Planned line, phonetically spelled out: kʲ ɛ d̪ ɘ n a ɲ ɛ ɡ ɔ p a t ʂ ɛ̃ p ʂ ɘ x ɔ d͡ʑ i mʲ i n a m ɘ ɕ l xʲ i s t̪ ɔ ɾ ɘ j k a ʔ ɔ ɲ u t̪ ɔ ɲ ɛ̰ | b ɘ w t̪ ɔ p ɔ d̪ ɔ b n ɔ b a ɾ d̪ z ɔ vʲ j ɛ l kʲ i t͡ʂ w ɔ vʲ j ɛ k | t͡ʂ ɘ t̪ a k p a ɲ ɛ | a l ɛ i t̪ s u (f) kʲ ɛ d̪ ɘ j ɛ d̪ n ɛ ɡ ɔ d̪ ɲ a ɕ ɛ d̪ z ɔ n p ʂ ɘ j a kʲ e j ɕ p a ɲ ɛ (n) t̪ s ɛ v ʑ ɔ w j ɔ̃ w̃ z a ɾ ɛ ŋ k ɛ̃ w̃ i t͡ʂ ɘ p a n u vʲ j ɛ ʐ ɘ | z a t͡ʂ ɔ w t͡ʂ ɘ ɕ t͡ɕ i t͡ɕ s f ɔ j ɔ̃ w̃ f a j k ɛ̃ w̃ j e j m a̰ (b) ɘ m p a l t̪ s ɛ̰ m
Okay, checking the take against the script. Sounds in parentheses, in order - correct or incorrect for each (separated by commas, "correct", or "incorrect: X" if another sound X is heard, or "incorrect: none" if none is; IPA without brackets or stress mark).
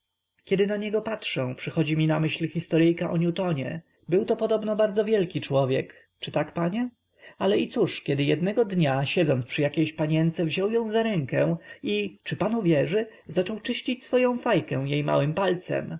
incorrect: ʂ, correct, incorrect: w